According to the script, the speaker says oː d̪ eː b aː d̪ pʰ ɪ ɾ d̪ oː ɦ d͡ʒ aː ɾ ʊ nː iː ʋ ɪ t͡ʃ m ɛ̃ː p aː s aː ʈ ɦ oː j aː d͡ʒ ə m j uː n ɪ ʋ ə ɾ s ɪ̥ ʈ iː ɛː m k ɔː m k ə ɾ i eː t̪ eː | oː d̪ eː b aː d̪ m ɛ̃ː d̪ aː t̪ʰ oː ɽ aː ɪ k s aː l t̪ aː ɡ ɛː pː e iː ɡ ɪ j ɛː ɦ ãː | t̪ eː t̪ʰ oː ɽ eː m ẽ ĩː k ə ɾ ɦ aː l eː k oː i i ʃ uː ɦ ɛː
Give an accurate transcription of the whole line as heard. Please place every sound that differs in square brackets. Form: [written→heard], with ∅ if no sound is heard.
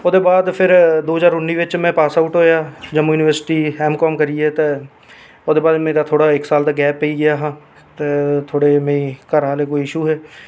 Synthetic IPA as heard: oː d̪ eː b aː d̪ pʰ ɪ ɾ d̪ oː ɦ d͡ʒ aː ɾ ʊ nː iː ʋ ɪ t͡ʃ m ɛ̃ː p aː s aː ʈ ɦ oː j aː d͡ʒ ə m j uː n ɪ ʋ ə ɾ s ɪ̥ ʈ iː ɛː m k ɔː m k ə ɾ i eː t̪ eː | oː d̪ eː b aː d̪ m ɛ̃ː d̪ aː t̪ʰ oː ɽ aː ɪ k s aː l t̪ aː ɡ ɛː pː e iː ɡ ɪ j [ɛː→aː] ɦ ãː | t̪ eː t̪ʰ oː ɽ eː m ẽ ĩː k ə ɾ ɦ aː l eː k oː i [i→ɪ] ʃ uː ɦ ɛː